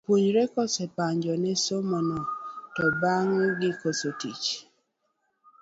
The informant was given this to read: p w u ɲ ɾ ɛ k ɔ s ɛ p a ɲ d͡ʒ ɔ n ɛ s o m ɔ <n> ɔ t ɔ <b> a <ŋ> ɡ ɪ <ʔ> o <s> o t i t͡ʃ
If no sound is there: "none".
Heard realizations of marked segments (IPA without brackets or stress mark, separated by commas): n, b, ŋ, k, s